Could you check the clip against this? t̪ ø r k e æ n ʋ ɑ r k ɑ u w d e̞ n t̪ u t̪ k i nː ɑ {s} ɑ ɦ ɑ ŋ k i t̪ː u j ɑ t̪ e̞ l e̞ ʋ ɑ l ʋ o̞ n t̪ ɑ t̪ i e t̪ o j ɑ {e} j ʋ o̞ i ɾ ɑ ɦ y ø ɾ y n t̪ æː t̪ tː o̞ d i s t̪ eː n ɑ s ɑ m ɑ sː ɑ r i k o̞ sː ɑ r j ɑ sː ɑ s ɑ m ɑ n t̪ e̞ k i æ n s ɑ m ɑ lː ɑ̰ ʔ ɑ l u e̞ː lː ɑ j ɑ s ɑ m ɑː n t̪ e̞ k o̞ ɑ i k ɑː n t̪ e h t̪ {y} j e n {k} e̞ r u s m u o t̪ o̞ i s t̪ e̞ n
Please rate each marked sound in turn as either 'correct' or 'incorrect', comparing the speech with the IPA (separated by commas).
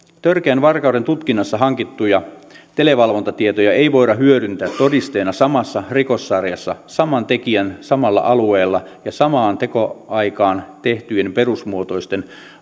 incorrect, correct, correct, incorrect